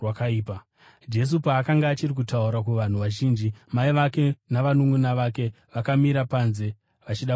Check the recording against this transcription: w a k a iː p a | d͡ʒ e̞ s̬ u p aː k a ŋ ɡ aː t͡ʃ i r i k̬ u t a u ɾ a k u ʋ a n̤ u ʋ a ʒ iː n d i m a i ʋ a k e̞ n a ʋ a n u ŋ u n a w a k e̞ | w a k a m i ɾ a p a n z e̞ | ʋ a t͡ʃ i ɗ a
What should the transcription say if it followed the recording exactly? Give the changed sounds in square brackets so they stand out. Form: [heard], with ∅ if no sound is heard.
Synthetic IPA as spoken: w a k a iː p a | d͡ʒ e̞ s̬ u p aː k a ŋ ɡ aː t͡ʃ i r i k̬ u t a u ɾ a k u ʋ a n̤ u ʋ a ʒ iː n [d͡ʒ] i m a i ʋ a k e̞ n a ʋ a n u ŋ u n a [ʋ] a k e̞ | [ʋ] a k a m i ɾ a p a n z e̞ | ʋ a t͡ʃ i ɗ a